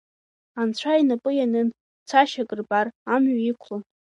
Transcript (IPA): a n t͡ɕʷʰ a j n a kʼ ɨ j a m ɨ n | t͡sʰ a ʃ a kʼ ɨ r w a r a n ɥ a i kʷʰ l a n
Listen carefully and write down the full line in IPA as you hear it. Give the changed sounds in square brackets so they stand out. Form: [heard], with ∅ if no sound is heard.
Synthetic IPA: a n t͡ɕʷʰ a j n a [pʼ] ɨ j a [n] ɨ n | t͡sʰ a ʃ a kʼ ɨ r [b] a r a [m] ɥ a i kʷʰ l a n